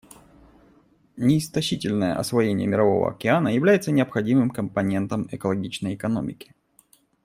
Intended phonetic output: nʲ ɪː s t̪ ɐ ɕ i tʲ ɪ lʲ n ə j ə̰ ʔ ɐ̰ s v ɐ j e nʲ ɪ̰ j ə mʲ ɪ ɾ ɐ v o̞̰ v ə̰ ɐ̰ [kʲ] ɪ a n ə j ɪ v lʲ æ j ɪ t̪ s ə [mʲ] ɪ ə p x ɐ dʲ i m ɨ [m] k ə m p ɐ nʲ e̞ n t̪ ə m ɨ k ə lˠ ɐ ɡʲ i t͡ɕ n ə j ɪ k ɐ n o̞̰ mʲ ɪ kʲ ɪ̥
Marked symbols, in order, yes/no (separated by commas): yes, no, yes